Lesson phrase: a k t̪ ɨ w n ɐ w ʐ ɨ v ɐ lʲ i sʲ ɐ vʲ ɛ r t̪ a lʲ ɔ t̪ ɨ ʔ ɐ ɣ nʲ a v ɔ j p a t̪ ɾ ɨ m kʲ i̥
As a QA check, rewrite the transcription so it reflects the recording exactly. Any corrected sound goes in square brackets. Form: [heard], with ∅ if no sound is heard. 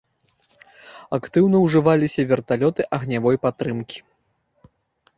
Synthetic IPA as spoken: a k t̪ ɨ w n ɐ w ʐ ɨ v [a] lʲ i sʲ ɐ vʲ ɛ r t̪ a lʲ ɔ t̪ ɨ ʔ ɐ ɣ nʲ a v ɔ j p a t̪ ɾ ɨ m kʲ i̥